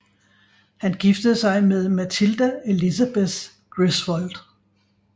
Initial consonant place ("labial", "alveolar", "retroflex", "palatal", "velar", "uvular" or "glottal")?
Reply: glottal